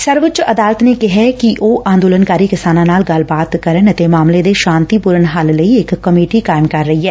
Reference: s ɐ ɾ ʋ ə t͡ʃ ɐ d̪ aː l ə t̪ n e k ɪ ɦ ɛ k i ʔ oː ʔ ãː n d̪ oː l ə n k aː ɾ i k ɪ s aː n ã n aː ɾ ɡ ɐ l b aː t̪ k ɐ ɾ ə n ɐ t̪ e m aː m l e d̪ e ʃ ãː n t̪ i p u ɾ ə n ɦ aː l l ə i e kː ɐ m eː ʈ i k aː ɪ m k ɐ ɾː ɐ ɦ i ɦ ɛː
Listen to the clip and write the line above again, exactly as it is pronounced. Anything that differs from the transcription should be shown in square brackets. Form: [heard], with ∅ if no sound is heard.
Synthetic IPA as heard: s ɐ ɾ ʋ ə t͡ʃ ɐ d̪ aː l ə t̪ n e k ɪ ɦ ɛ k i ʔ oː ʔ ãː n d̪ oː l ə n k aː ɾ i k ɪ s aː n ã n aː [l] ɡ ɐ l b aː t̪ k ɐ ɾ ə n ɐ t̪ e m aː m l e d̪ e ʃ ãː n t̪ i p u ɾ ə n ɦ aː l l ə i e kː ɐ m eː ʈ i k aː ɪ m k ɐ ɾː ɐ ɦ i ɦ ɛː